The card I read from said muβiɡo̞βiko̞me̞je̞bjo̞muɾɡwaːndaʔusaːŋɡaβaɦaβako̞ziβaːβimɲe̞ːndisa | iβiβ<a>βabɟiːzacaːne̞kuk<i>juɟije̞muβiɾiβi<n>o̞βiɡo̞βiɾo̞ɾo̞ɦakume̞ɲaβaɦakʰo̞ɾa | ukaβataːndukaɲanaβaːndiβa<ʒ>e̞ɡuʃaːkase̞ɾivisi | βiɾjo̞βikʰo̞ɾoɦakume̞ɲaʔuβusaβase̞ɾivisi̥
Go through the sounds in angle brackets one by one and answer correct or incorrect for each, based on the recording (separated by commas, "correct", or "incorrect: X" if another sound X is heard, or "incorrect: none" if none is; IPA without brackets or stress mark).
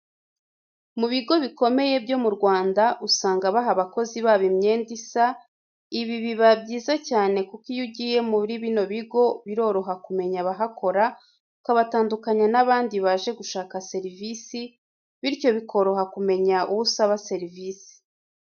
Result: incorrect: i, correct, correct, correct